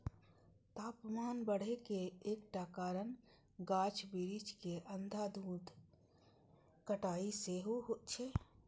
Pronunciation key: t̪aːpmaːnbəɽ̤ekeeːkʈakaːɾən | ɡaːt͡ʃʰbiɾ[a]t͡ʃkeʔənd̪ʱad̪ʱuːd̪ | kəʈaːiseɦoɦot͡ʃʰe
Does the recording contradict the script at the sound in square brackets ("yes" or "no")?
yes